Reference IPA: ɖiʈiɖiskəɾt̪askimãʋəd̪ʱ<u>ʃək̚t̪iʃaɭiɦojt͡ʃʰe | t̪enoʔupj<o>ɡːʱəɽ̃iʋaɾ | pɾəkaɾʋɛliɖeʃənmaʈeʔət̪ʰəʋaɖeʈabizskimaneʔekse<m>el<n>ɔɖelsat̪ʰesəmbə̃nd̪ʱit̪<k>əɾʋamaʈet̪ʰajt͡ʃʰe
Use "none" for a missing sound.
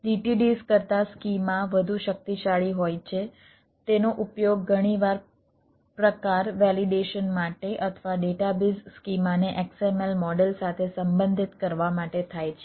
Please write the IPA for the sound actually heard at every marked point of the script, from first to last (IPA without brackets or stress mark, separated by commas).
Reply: u, o, m, m, k